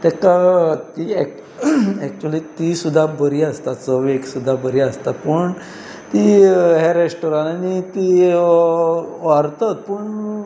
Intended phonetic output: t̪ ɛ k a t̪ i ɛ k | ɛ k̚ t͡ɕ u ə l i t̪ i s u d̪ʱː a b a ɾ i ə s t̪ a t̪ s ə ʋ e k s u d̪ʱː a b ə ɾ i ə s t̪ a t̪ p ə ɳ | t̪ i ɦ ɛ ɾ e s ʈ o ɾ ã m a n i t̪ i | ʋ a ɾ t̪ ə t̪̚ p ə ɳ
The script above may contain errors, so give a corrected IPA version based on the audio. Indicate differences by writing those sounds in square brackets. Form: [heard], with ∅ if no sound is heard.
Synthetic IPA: t̪ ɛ k a t̪ i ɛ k | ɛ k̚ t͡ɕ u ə l i t̪ i s u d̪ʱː a b [ə] ɾ i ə s t̪ a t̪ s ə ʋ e k s u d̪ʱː a b ə ɾ i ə s t̪ a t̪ p ə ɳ | t̪ i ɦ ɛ ɾ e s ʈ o ɾ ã [n] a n i t̪ i | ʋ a ɾ t̪ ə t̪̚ p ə ɳ